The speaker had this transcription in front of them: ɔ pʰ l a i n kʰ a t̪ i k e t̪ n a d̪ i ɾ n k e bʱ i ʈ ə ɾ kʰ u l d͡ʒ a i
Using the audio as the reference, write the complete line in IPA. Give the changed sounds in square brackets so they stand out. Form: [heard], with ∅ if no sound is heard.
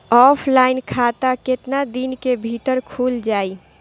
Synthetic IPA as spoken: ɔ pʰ l a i n kʰ a t̪ [a] k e t̪ n a d̪ i [∅] n k e bʱ i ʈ ə ɾ kʰ u l d͡ʒ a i